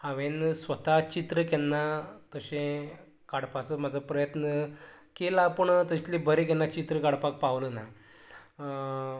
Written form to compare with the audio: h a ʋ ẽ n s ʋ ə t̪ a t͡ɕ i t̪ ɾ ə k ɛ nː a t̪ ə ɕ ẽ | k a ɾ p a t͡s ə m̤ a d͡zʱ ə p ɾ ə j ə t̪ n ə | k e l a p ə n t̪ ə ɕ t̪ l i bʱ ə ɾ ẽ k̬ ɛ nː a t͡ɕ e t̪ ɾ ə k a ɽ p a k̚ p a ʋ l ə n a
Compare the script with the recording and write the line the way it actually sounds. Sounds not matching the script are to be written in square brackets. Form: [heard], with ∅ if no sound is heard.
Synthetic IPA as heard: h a ʋ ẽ n s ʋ ə t̪ a t͡ɕ i t̪ ɾ ə k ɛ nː a t̪ ə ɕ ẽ | k a [ɽ] p a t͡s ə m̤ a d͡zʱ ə p ɾ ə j ə t̪ n ə | k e l a p ə [ɳ] t̪ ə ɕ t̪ l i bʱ ə ɾ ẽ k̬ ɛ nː a t͡ɕ [i] t̪ ɾ ə k a ɽ p a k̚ p a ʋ l ə n a